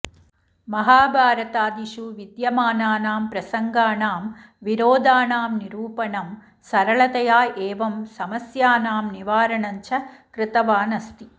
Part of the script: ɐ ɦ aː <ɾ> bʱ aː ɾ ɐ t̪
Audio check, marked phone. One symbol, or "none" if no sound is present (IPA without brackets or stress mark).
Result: none